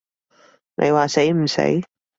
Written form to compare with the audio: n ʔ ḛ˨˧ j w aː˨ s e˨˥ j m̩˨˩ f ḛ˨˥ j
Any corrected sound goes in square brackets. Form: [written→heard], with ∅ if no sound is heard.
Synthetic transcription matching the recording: n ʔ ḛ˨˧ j w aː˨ s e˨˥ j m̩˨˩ [f→s] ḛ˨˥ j